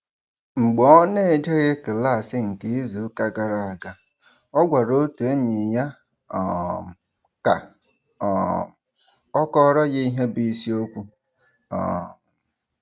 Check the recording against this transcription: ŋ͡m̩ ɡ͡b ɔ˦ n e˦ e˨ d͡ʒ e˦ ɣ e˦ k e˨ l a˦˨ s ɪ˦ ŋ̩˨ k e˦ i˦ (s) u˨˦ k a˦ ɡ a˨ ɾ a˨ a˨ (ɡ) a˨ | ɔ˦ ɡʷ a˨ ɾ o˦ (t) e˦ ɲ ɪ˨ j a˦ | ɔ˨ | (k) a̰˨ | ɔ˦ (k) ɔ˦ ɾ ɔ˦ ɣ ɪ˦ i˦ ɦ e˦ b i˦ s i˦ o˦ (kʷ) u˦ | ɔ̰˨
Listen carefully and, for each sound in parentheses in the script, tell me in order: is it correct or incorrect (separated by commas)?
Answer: incorrect, correct, correct, correct, correct, correct